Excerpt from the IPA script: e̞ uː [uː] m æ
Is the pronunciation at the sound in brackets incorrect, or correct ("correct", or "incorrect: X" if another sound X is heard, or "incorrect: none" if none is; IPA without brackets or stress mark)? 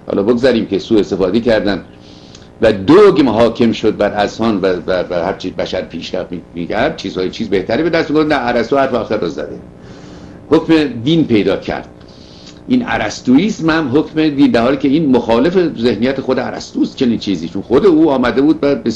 incorrect: ɒː